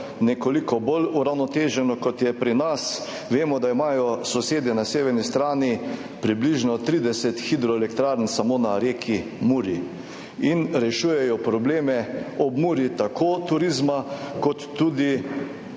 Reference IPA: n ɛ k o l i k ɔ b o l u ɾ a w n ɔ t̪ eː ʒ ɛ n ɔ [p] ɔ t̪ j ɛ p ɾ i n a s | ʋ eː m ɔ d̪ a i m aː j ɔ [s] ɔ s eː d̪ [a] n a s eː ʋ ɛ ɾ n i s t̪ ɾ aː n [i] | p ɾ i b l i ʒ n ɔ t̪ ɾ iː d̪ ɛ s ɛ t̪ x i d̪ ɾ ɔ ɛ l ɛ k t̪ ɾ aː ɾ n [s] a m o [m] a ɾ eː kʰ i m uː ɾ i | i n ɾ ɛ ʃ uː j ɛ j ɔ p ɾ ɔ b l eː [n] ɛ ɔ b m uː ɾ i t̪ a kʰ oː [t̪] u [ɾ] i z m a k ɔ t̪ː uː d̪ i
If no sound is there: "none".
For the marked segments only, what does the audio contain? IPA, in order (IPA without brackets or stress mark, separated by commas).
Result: k, s, ɛ, i, s, n, m, t̪, ɾ